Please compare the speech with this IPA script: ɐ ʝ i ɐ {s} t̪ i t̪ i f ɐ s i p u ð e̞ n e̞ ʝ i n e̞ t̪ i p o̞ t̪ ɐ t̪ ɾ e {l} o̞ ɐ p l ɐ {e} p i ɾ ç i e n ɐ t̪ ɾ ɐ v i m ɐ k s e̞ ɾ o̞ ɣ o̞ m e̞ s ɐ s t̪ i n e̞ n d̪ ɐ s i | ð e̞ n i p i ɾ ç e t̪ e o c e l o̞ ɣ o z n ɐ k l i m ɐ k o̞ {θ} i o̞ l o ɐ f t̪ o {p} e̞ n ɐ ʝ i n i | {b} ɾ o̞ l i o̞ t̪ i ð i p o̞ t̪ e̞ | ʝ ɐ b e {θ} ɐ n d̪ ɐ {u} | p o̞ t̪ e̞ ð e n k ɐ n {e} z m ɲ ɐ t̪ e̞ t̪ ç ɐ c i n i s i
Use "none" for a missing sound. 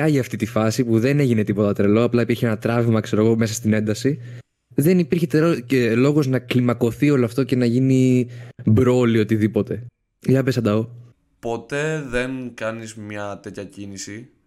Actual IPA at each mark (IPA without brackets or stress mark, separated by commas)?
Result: f, l, i, θ, c, b, s, o, i